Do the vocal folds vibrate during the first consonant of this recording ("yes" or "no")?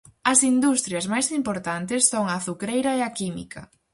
no